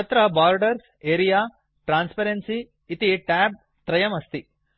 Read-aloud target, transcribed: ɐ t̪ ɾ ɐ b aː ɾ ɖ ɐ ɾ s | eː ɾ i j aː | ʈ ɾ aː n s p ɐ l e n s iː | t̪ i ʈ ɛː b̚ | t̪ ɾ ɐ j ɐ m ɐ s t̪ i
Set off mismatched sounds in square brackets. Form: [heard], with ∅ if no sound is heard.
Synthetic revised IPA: ɐ t̪ ɾ ɐ b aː ɾ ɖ ɐ ɾ s | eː ɾ i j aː | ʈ ɾ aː n s p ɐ [ɾ] e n s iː | t̪ i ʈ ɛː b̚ | t̪ ɾ ɐ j ɐ m ɐ s t̪ i